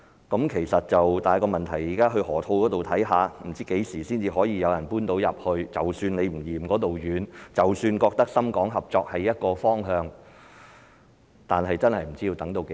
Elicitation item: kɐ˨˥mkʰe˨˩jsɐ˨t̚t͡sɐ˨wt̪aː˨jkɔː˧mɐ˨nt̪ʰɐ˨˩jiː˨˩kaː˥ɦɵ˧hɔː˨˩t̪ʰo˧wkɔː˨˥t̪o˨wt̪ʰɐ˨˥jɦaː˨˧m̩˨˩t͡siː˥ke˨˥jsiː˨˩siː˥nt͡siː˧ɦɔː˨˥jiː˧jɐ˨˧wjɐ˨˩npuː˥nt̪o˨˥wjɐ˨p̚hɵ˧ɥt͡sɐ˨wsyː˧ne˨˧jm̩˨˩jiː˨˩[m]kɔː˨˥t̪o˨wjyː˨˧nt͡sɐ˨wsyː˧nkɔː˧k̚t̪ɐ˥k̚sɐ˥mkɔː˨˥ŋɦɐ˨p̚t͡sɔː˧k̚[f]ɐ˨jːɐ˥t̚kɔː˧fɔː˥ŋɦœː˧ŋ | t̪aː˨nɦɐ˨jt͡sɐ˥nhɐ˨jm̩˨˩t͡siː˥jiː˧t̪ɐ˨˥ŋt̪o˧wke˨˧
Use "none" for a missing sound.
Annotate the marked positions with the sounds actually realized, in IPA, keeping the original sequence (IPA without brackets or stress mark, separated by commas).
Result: m, h